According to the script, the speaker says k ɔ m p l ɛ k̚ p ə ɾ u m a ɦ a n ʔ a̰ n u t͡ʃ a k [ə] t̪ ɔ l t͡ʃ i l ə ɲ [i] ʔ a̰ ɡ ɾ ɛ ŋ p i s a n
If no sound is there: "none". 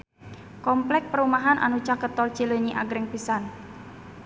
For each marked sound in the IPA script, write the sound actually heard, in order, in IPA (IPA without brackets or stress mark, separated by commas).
ə, i